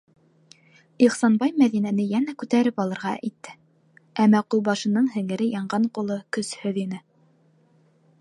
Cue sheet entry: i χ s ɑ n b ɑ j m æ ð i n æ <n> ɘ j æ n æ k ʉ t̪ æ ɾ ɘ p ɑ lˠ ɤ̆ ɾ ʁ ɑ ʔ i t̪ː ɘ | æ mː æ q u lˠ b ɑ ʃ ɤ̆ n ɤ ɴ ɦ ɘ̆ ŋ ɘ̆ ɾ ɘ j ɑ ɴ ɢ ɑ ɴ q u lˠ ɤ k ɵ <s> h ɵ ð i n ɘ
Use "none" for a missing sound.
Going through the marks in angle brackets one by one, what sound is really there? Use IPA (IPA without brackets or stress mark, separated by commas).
n, s